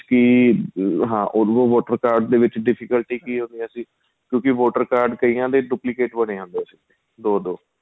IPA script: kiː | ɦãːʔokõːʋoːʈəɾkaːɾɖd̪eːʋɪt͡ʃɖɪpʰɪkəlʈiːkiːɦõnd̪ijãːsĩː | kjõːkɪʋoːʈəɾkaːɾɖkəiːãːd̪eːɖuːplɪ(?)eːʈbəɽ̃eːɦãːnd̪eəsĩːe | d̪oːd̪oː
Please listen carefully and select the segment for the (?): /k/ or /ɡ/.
k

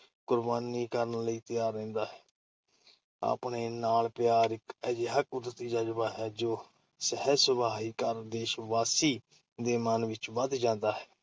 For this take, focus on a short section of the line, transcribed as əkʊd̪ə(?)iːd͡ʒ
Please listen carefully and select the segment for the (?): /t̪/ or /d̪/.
t̪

